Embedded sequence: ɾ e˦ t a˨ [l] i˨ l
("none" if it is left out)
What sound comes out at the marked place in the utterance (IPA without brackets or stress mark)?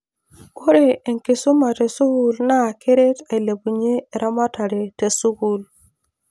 none